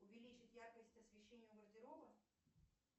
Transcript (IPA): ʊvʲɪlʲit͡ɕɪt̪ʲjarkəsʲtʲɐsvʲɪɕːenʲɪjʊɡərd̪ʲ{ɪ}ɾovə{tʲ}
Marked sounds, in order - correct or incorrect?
correct, incorrect: none

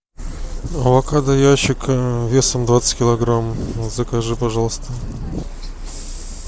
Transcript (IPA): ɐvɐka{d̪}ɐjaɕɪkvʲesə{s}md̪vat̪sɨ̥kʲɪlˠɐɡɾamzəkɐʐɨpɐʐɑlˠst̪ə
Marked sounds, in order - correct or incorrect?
correct, incorrect: none

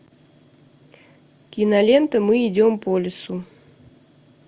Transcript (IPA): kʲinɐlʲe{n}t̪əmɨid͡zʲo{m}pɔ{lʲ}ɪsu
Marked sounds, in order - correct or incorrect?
correct, correct, correct

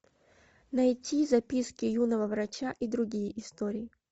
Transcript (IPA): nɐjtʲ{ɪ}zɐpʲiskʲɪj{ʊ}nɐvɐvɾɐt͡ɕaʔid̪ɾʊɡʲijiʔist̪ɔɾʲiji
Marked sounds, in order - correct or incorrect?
incorrect: i, incorrect: u

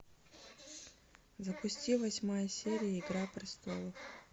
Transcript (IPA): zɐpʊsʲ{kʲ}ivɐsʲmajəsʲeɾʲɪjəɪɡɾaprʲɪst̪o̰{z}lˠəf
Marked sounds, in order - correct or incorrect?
incorrect: tʲ, incorrect: none

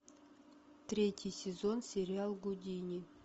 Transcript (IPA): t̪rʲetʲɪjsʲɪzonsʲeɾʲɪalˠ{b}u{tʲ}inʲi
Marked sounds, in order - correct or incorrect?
incorrect: ɡ, incorrect: dʲ

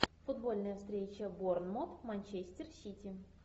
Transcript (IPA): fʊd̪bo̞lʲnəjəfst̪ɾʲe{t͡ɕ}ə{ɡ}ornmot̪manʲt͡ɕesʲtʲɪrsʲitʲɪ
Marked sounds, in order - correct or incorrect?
correct, incorrect: b

